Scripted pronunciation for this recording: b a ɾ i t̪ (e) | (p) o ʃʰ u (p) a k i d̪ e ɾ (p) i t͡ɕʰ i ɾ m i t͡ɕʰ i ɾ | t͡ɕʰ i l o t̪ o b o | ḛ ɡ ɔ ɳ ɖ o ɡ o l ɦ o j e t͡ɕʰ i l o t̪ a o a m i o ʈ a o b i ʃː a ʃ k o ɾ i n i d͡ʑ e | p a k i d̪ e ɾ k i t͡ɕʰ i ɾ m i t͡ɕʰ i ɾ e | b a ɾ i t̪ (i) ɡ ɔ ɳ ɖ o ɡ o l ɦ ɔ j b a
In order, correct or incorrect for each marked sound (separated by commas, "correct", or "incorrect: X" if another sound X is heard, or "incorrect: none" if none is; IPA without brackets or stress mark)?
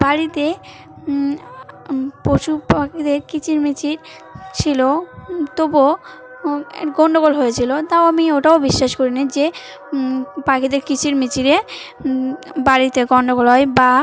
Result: correct, correct, correct, incorrect: k, incorrect: e